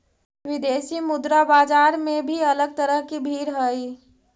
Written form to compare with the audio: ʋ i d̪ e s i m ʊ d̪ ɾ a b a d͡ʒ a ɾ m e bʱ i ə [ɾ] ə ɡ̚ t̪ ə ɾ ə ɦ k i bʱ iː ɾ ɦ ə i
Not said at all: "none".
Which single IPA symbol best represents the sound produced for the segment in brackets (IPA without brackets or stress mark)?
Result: l